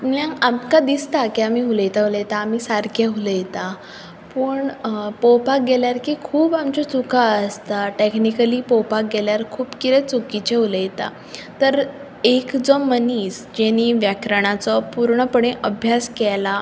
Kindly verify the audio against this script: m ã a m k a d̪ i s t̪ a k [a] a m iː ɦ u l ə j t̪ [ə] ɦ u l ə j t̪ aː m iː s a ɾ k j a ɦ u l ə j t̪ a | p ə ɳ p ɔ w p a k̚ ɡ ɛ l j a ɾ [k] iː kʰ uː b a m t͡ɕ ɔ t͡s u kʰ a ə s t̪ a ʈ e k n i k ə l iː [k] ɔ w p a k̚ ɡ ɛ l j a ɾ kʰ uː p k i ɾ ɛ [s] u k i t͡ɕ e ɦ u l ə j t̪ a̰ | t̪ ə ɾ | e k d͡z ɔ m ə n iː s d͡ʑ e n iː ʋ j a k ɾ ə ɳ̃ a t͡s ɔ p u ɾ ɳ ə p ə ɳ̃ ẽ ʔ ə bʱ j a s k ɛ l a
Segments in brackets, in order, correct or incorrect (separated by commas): incorrect, incorrect, correct, incorrect, incorrect